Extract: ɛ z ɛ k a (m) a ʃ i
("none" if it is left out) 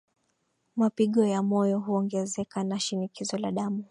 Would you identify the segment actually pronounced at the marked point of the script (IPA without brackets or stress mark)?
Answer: n